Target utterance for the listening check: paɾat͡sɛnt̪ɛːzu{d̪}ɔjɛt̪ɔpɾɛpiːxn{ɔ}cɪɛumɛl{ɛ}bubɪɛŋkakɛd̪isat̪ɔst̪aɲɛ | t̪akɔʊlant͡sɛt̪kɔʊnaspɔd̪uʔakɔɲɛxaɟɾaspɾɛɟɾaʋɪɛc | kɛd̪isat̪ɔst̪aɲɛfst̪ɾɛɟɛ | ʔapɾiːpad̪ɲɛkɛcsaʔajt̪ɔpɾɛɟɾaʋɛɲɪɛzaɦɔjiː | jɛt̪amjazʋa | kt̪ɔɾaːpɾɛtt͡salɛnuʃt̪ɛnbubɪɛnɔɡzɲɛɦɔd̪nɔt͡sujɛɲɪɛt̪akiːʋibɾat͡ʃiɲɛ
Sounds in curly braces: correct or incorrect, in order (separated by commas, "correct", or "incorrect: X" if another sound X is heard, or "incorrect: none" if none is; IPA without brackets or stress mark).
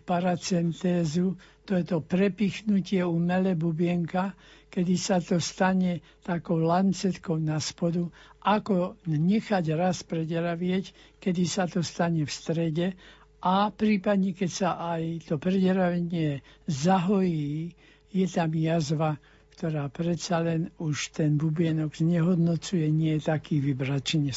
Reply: incorrect: t̪, incorrect: u, correct